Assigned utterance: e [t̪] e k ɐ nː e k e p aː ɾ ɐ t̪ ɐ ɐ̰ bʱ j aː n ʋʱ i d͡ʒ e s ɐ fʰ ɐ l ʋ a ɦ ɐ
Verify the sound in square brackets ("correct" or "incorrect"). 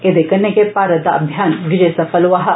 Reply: incorrect